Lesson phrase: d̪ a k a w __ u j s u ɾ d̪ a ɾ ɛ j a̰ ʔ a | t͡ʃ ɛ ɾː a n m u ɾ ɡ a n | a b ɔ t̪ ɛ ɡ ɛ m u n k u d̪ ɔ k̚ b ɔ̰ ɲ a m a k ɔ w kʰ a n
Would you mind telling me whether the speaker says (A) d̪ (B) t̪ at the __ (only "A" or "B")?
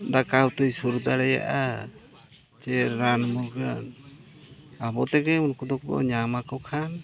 B